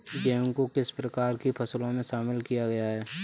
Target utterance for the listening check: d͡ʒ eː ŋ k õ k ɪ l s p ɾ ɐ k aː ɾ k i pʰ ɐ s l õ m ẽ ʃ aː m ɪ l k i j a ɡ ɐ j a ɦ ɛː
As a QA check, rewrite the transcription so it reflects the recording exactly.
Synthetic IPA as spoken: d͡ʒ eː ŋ k o k ɪ s p ɾ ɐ k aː ɾ k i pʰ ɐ s l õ m ẽ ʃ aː m ɪ l k i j a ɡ ɐ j a ɦ ɛː